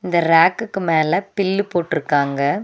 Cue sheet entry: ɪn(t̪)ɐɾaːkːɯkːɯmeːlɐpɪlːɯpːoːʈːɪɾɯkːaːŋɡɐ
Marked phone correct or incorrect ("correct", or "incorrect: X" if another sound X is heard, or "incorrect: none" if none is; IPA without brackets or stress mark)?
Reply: incorrect: d̪